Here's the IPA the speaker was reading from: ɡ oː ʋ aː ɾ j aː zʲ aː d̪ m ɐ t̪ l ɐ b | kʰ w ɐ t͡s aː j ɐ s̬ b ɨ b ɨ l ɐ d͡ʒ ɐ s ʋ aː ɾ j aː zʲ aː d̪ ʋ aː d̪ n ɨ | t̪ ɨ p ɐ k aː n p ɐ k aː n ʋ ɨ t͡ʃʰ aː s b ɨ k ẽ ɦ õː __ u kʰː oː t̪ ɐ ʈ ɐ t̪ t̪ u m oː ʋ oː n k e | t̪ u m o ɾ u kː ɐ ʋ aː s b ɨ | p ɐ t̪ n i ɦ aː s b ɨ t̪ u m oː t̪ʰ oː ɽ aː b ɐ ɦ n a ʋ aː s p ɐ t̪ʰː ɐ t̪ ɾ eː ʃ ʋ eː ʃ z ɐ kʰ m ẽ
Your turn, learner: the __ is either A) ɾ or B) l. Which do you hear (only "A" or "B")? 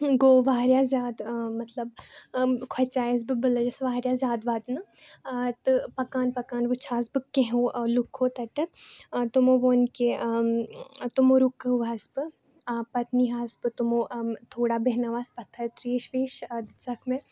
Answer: B